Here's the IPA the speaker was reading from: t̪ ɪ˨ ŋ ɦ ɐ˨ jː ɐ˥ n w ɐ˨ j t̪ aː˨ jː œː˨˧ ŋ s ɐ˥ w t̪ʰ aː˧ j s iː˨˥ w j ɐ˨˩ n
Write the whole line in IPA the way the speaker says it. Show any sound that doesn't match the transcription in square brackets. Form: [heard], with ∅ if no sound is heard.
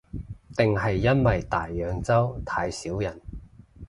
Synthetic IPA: t̪ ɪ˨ ŋ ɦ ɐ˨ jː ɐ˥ n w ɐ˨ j t̪ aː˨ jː œː˨˧ ŋ [t͡s] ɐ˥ w t̪ʰ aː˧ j s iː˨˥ w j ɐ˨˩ n